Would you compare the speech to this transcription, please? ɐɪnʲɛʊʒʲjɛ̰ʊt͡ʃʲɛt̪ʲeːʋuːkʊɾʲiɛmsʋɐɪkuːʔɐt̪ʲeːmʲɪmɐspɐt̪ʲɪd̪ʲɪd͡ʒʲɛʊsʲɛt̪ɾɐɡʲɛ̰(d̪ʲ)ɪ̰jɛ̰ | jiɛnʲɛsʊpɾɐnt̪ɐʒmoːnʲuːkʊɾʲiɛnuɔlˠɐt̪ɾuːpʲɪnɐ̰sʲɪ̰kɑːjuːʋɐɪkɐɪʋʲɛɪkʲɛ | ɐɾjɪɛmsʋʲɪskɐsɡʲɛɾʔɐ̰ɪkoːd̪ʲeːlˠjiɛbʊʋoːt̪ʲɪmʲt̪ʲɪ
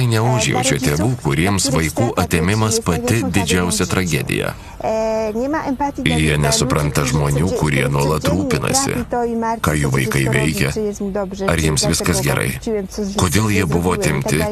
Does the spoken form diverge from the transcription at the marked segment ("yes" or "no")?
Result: no